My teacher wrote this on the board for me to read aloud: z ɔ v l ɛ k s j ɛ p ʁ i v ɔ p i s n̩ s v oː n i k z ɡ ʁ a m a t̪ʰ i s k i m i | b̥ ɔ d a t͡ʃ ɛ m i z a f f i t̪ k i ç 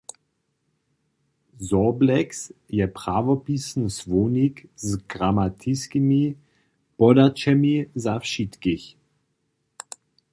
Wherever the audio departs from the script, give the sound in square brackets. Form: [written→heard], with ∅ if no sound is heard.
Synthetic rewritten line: z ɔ [v→b] l ɛ k s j ɛ p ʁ [i→a] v ɔ p i s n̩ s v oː n i k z ɡ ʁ a m a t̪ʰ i s k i m i | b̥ ɔ d a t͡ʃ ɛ m i z a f [f→ʃ] i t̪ k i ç

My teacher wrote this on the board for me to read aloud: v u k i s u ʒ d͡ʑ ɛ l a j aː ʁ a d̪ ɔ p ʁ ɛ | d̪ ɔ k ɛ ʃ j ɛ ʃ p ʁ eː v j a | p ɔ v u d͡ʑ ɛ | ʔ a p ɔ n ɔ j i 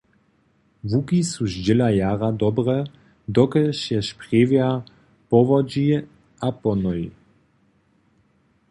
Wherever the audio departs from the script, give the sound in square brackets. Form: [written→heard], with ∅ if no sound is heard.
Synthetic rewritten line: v u k i s u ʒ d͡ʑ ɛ l a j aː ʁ a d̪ ɔ [p→b] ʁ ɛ | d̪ ɔ k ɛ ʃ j ɛ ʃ p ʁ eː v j a | p ɔ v [u→ɔ] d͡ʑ [ɛ→i] | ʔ a p ɔ n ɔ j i

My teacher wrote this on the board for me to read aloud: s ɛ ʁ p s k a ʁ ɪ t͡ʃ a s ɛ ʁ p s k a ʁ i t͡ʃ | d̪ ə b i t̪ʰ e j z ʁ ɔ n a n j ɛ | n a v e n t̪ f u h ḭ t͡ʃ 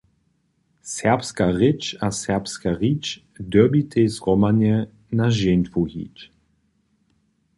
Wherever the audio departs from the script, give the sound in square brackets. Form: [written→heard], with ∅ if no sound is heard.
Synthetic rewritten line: s ɛ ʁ p s k a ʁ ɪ t͡ʃ a s ɛ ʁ p s k a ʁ i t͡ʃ | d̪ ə b i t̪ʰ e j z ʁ ɔ [n→m] a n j ɛ | n a [v→ʒ] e n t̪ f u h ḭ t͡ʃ

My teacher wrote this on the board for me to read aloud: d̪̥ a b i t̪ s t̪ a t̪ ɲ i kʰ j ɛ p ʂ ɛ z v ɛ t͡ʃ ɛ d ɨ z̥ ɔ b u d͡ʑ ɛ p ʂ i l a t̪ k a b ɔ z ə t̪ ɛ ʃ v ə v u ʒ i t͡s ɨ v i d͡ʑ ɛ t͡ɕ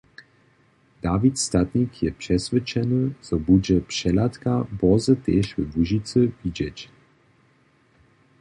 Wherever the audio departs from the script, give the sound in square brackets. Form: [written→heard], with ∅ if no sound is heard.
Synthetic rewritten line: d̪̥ a [b→v] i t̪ s t̪ a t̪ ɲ i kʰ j ɛ p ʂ ɛ [z→s] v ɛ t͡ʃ ɛ [d→n] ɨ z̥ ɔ b u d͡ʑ ɛ p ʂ [i→ɛ] l a t̪ k a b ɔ z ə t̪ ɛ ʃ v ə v u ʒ i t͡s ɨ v i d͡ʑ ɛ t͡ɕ

